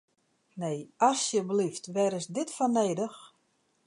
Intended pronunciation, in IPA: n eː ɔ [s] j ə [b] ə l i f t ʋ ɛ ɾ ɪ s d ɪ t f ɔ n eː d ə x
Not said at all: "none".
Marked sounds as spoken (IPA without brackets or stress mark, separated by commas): s, b